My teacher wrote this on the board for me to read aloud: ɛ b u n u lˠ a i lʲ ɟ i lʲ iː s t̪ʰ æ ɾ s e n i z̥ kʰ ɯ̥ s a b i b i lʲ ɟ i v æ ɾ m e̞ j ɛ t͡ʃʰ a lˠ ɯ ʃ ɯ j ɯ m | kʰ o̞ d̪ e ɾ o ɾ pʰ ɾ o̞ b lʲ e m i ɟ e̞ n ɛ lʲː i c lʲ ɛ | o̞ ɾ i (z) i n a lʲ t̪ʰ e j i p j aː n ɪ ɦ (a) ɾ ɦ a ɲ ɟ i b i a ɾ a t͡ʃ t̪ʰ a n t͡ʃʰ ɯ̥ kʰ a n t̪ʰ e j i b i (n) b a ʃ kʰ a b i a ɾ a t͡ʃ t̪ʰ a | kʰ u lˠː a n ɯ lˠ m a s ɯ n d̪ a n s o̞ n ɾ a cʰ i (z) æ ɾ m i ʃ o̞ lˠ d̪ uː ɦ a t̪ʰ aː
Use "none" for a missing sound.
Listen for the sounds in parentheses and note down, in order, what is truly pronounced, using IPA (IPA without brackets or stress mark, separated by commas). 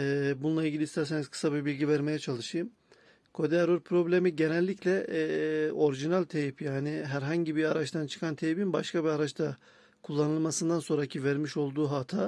ʒ, æ, n, v